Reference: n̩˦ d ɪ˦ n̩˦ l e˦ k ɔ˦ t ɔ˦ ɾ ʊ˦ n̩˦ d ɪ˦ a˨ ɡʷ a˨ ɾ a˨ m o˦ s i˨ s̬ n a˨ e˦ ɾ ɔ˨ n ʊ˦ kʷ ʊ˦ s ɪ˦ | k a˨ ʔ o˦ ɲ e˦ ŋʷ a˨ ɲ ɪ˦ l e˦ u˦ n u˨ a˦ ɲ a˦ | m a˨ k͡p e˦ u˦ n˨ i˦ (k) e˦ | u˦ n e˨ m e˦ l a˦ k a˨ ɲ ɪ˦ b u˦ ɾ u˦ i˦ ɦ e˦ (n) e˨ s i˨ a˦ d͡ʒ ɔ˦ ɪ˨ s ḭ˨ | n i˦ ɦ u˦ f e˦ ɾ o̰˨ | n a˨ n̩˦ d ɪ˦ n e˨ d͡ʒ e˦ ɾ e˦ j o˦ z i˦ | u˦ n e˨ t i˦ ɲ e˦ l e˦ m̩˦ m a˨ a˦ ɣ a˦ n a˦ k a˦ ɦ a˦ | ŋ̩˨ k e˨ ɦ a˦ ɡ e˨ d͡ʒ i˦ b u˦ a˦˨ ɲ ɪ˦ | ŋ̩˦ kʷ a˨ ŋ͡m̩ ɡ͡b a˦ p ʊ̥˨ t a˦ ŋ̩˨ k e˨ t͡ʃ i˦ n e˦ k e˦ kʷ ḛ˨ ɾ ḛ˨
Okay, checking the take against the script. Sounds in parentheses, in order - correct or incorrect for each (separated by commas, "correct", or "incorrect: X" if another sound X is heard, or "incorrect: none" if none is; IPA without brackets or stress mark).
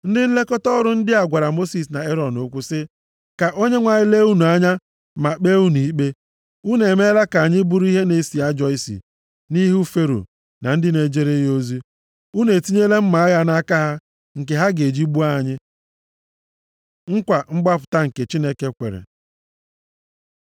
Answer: incorrect: k͡p, correct